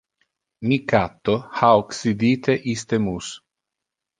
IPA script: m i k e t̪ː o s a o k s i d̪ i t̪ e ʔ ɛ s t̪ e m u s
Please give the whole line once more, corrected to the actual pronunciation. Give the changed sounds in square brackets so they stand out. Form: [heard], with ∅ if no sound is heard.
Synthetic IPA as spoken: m i k [a] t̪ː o [h] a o k s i d̪ i t̪ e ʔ [i] s t̪ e m u s